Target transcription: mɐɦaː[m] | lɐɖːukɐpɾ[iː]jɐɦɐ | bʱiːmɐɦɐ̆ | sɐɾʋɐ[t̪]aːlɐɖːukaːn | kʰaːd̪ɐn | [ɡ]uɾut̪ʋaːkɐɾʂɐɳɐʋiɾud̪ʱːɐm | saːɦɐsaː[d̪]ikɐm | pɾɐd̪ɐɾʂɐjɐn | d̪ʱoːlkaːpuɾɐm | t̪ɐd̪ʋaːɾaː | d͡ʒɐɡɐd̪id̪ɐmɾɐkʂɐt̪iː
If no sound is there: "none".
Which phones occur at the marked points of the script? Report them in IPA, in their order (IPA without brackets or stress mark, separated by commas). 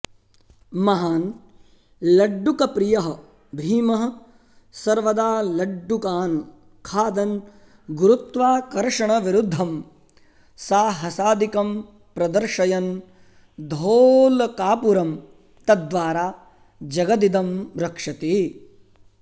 n, i, d̪, ɡ, d̪